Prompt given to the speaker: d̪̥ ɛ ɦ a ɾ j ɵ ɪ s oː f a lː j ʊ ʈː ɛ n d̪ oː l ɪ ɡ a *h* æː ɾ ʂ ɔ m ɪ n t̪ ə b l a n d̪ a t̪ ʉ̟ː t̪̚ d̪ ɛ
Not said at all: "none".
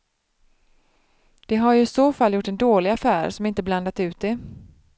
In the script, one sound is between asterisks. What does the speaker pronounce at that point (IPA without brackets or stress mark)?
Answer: f